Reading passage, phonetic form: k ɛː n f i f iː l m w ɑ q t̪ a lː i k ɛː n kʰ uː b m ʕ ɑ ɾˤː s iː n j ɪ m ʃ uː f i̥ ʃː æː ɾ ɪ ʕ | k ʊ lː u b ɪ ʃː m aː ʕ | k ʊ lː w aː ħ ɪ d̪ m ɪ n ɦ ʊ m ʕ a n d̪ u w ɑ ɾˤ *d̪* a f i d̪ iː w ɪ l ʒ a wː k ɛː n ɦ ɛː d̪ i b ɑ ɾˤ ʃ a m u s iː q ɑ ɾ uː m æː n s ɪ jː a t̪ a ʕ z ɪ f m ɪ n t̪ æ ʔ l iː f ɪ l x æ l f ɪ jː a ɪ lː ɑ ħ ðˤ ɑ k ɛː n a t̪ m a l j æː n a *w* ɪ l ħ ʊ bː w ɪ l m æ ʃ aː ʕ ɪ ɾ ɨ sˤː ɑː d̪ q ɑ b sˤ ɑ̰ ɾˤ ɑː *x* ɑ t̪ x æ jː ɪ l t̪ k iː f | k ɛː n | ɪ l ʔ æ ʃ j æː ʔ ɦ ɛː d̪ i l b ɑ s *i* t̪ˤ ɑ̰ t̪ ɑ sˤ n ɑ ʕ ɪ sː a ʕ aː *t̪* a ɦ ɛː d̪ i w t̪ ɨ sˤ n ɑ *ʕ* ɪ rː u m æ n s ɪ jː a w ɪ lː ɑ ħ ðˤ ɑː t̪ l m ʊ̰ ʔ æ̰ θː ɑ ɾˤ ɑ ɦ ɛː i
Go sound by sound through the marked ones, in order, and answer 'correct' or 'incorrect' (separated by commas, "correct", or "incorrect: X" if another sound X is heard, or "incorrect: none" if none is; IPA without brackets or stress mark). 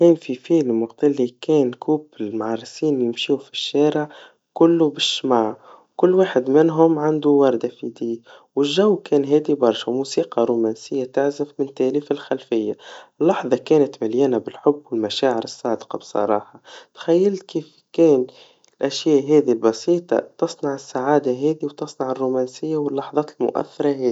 correct, incorrect: b, incorrect: ħ, incorrect: iː, incorrect: d̪, correct